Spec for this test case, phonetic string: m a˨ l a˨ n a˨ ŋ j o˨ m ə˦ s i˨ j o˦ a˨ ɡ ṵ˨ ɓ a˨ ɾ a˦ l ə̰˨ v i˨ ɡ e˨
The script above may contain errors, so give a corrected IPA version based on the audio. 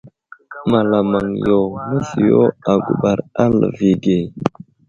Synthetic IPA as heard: m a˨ l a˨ m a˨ ŋ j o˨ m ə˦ s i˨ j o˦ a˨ ɡ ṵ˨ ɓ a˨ ɾ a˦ l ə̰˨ v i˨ ɡ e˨